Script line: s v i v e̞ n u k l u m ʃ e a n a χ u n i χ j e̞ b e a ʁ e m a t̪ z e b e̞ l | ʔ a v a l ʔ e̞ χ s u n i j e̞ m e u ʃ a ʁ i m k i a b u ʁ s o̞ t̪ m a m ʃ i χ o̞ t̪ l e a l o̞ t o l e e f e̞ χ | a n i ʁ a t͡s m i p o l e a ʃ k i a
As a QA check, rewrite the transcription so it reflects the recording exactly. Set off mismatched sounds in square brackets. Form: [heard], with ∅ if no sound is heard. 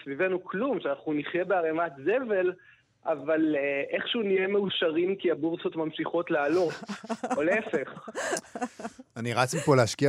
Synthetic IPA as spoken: s v i v e̞ n u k l u m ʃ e a n a χ u n i χ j e̞ b e a ʁ e m a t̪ z e [v] e̞ l | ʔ a v a l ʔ e̞ χ [ʃ] u n i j e̞ m e u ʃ a ʁ i m k i a b u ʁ s o̞ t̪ m a m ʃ i χ o̞ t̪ l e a l o̞ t o l e e f e̞ χ | a n i ʁ a t͡s m i p o l e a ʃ k i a